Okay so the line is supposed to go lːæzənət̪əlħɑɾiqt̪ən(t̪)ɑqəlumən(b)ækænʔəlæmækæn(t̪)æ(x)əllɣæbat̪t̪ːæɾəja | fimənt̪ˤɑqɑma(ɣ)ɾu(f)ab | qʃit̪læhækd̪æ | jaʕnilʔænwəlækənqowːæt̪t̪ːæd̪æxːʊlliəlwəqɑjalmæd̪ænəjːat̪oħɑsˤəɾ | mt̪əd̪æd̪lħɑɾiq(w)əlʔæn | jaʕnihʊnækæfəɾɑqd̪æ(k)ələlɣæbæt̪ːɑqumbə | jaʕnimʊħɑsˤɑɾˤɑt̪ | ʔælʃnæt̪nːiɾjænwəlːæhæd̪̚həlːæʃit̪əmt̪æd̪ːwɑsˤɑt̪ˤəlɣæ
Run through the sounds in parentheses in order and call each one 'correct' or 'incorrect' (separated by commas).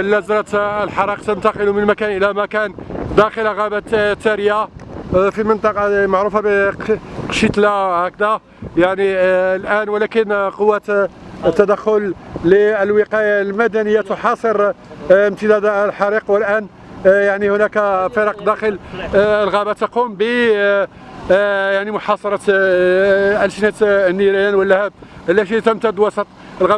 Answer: correct, incorrect, incorrect, correct, incorrect, correct, correct, incorrect